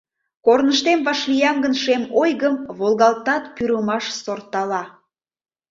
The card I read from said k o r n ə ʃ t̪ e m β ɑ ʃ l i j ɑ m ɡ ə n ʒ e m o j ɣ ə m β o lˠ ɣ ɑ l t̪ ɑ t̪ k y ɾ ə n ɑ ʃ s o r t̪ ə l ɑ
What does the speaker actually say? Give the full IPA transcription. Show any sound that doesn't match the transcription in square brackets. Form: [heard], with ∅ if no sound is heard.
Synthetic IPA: k o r n ə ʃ t̪ e m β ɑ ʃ l i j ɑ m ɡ ə n [ʃ] e m o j ɣ ə m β o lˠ ɣ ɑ l t̪ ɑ t̪ [p] y ɾ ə [m] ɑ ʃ s o r t̪ [ɑ] l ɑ

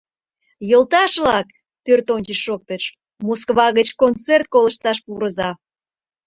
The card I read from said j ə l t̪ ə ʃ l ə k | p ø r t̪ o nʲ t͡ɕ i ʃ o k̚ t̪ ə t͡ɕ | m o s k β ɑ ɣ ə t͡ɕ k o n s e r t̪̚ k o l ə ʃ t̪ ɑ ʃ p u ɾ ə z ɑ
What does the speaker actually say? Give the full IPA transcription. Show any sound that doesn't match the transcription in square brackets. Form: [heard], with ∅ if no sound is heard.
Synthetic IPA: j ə l t̪ [ɑ] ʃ l [ɑ] k | p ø r t̪ o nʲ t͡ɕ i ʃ o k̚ t̪ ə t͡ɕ | m o s k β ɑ ɣ ə t͡ɕ k o n [t͡s] e r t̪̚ k o l ə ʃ t̪ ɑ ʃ p u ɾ ə z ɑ

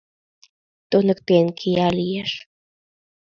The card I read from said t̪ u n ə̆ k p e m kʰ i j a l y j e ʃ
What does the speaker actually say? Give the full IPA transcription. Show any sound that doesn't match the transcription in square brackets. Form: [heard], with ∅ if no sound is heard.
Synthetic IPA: t̪ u n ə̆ k p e [n] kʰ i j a l [i] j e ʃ

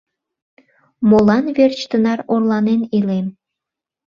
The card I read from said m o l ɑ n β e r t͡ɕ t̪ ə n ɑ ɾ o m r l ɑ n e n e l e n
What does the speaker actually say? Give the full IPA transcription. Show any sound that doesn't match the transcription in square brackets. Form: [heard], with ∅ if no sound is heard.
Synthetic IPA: m o l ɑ n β e r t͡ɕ t̪ ə n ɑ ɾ o [∅] r l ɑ n e n [i] l e [m]

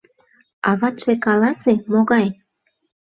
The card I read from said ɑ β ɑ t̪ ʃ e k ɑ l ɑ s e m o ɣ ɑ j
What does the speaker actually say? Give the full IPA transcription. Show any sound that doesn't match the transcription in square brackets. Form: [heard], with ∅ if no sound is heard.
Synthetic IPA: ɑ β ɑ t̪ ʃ e k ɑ l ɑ s e m o ɣ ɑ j

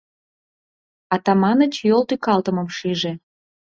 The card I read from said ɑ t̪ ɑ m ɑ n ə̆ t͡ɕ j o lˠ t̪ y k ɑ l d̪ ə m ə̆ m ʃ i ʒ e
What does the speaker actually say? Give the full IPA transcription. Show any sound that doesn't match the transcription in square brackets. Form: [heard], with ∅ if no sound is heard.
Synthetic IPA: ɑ t̪ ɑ m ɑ n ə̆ t͡ɕ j o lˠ t̪ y k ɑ l [t̪] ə m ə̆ m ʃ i ʒ e

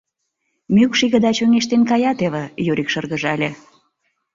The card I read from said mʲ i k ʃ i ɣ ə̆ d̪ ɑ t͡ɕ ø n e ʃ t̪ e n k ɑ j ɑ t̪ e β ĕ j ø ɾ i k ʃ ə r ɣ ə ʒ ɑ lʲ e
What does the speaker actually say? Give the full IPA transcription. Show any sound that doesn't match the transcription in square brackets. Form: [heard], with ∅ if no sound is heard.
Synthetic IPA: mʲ [y] k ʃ i ɣ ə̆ d̪ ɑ t͡ɕ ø [ŋ] e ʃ t̪ e n k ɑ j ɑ t̪ e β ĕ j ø ɾ i k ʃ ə r ɣ ə ʒ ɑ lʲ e

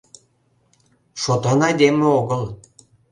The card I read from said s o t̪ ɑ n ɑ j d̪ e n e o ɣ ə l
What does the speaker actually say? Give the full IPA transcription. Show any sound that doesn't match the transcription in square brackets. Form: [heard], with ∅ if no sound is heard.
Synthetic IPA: [ʃ] o t̪ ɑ n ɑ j d̪ e [m] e o ɣ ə l

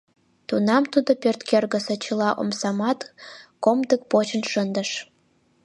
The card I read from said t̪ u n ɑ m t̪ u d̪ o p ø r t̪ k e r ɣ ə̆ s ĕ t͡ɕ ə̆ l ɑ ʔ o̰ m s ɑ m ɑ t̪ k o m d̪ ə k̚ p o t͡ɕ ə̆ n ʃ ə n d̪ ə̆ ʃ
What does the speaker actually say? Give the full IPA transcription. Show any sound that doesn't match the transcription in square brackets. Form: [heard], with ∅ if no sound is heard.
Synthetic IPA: t̪ u n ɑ m t̪ u d̪ o p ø r t̪ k e r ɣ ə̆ s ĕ t͡ɕ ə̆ l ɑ ʔ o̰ m s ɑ m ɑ t̪ k o m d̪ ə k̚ p o t͡ɕ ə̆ n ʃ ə n d̪ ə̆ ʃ

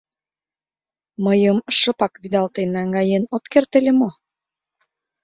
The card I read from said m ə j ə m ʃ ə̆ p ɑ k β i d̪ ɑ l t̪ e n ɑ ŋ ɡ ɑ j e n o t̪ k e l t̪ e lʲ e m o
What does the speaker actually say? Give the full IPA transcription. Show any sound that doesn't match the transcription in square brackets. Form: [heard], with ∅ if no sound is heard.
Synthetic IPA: m ə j ə m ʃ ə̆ p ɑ k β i d̪ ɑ l t̪ e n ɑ ŋ ɡ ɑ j e n o t̪ k e [r] t̪ e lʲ e m o

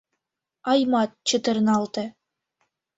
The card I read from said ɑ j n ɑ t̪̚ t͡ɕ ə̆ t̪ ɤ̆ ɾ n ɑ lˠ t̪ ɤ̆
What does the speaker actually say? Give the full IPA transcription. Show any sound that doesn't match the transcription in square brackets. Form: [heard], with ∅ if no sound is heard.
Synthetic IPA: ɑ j [m] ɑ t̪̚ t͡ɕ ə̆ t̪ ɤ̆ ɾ n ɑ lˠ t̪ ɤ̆

